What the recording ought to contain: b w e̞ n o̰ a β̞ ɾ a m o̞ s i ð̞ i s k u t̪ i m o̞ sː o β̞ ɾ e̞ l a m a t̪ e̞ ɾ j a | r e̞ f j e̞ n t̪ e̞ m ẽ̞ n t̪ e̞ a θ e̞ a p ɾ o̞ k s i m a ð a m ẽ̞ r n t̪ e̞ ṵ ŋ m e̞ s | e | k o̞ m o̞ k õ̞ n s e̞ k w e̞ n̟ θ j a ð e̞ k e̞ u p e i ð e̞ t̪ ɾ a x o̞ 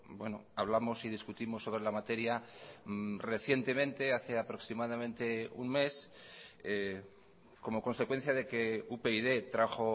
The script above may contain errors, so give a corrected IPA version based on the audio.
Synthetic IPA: b w e̞ n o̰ a β̞ l a m o̞ s i ð̞ i s k u t̪ i m o̞ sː o β̞ ɾ e̞ l a m a t̪ e̞ ɾ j a | r e̞ θ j e̞ n t̪ e̞ m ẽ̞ n t̪ e̞ a θ e̞ a p ɾ o̞ k s i m a ð a m ẽ̞ n t̪ e̞ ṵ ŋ m e̞ s | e | k o̞ m o̞ k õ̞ n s e̞ k w e̞ n̟ θ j a ð e̞ k e̞ u p e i ð e̞ t̪ ɾ a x o̞

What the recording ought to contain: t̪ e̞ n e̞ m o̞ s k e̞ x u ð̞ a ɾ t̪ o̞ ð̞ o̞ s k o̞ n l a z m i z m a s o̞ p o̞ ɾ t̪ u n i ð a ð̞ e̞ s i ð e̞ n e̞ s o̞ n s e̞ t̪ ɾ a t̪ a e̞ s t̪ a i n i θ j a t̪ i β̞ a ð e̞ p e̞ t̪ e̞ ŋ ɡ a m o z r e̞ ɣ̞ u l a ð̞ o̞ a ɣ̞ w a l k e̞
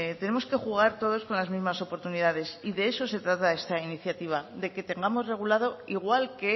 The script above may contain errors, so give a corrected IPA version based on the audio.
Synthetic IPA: t̪ e̞ n e̞ m o̞ s k e̞ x u ɣ̞ a ɾ t̪ o̞ ð̞ o̞ s k o̞ n l a z m i z m a s o̞ p o̞ ɾ t̪ u n i ð a ð̞ e̞ s i ð e̞ e̞ s o̞ s e̞ t̪ ɾ a t̪ a e̞ s t̪ a i n i θ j a t̪ i β̞ a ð e̞ k e̞ t̪ e̞ ŋ ɡ a m o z r e̞ ɣ̞ u l a ð̞ o̞ i ɣ̞ w a l k e̞

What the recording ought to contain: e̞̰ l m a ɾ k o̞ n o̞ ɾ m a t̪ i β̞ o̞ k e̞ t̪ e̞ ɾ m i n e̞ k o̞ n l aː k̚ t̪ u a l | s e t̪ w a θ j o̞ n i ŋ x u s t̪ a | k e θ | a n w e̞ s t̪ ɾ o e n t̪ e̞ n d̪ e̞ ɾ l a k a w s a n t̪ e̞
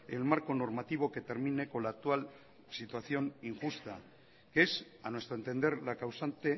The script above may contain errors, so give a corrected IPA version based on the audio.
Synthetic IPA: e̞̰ l m a ɾ k o̞ n o̞ ɾ m a t̪ i β̞ o̞ k e̞ t̪ e̞ ɾ m i n e̞ k o̞ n l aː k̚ t̪ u a l | s i t̪ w a θ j o̞ n i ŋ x u s t̪ a | k e s | a n w e̞ s t̪ ɾ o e n t̪ e̞ n d̪ e̞ ɾ l a k a w s a n t̪ e̞

